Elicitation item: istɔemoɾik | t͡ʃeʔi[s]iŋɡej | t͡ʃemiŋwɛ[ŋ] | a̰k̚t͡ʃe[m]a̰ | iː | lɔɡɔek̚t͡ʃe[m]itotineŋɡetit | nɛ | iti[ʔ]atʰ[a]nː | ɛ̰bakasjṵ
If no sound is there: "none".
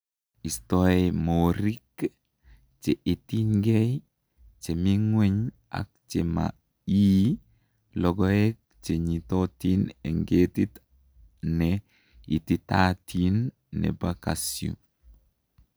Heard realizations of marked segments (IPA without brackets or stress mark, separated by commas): t, ɲ, m, ɲ, t, i